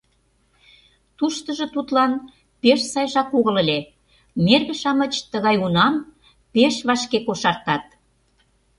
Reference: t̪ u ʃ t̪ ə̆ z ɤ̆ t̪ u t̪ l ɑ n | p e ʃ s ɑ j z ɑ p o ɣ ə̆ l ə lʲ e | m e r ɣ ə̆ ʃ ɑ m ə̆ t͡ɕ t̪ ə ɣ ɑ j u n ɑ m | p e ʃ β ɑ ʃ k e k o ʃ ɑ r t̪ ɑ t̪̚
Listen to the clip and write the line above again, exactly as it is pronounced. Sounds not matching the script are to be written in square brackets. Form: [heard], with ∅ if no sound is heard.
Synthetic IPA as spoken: t̪ u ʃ t̪ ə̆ [ʒ] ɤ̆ t̪ u t̪ l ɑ n | p e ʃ s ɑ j [ʒ] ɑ [k] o ɣ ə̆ l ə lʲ e | m e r ɣ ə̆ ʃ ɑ m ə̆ t͡ɕ t̪ ə ɣ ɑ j u n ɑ m | p e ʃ β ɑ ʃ k e k o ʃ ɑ r t̪ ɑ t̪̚